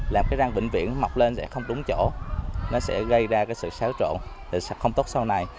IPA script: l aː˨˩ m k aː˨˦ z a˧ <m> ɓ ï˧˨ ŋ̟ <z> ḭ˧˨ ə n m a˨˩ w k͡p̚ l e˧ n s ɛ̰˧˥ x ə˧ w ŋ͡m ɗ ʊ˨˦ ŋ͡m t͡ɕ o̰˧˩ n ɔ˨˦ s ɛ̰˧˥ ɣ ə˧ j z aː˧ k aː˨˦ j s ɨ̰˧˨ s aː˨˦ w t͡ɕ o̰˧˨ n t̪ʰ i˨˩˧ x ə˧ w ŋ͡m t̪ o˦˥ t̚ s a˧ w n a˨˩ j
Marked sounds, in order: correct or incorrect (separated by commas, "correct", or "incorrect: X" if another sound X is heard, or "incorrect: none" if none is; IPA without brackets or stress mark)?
incorrect: ŋ, incorrect: v